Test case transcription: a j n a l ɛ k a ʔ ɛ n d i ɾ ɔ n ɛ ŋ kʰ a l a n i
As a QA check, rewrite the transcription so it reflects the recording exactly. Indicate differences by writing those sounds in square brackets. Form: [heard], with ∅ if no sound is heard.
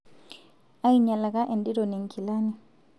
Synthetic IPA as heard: a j [ɲ] a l [a] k a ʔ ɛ n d i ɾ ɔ n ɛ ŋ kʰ [i] l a n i

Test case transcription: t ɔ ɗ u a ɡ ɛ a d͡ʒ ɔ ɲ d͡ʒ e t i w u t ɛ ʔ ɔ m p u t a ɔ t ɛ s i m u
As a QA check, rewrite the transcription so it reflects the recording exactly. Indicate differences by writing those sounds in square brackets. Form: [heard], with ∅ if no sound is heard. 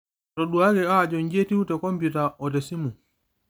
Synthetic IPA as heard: t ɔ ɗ u a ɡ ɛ a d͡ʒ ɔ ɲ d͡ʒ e t i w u t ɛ [k] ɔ m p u t a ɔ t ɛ s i m u

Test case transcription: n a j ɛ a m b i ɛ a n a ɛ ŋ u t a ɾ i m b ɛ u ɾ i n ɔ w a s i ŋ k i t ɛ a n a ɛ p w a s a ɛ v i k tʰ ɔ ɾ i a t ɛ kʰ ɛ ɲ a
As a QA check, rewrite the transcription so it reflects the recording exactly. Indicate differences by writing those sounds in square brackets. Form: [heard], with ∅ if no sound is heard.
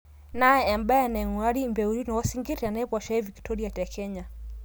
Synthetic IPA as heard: n a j ɛ a m b [a] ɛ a n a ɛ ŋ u [∅] a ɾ i m b ɛ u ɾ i n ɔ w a s i ŋ [ɡ] i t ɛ a n a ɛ p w a [ʃ] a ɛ v i k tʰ ɔ ɾ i a t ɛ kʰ ɛ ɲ a

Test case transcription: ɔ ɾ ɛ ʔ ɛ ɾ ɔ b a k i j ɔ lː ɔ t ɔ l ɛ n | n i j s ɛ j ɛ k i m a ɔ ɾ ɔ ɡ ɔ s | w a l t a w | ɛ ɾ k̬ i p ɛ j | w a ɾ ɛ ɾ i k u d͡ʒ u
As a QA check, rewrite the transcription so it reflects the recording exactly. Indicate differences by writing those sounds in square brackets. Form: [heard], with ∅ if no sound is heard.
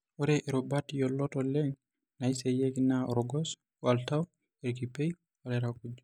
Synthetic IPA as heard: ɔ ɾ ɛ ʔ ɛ ɾ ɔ b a [t] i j ɔ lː ɔ t ɔ l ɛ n | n [a] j s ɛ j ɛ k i [n] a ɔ ɾ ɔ ɡ ɔ s | w a l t a w | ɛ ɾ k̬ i p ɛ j | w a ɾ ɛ ɾ [a] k u d͡ʒ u

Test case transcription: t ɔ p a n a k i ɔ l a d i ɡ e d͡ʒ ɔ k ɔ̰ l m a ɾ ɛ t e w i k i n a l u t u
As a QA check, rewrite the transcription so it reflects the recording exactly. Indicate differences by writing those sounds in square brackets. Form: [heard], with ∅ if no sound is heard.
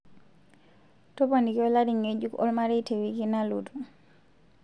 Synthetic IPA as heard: t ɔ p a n [i] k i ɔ l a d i [ŋ] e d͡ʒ [u] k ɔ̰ l m a ɾ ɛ t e w i k i n a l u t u

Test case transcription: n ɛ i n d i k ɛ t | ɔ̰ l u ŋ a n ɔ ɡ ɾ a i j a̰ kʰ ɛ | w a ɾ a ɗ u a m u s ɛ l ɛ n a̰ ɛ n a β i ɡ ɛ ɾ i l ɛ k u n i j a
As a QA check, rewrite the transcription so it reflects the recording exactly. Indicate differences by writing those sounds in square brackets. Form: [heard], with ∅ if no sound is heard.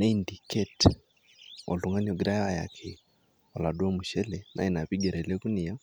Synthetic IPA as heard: n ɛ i n d i k ɛ t | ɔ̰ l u ŋ a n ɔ ɡ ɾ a [a] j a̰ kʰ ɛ | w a [l] a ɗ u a m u [ʃ] ɛ l ɛ n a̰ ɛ n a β i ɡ ɛ ɾ [ɛ] l ɛ k u n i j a

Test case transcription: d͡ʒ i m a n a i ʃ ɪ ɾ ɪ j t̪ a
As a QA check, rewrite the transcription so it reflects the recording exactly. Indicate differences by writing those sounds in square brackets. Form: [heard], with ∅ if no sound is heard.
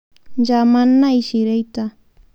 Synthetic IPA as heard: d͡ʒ [a] m a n a [j] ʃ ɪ ɾ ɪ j t̪ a

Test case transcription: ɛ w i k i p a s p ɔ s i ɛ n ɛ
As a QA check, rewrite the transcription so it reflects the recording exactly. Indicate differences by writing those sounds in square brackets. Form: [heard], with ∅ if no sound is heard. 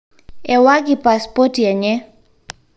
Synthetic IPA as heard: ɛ w [a] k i p a s p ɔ [t] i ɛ [ɲ] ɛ

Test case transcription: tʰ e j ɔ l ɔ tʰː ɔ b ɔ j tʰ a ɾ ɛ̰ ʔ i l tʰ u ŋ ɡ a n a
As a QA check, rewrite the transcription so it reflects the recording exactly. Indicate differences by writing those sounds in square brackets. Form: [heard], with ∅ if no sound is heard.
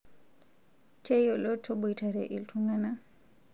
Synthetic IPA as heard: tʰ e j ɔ l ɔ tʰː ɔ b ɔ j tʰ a ɾ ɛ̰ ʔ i l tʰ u ŋ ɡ a n a

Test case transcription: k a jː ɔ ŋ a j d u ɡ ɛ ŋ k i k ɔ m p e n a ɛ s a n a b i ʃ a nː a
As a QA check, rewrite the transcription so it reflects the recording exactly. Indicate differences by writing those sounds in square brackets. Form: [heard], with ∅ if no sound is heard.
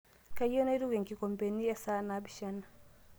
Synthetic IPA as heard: k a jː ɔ [n] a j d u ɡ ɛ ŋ k i k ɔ m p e n [i] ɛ s a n a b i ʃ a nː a

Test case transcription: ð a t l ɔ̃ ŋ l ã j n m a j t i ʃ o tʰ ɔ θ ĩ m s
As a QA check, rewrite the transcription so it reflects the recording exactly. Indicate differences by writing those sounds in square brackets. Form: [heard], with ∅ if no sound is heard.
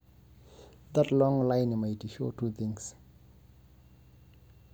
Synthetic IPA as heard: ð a t l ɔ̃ ŋ l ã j n m a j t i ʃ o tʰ [u] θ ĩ [ŋ] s

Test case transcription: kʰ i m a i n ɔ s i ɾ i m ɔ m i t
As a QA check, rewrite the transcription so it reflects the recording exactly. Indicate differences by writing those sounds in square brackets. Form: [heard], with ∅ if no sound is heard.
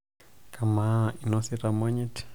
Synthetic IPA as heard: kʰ [a] m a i n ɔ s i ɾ [a] m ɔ [ɲ] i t

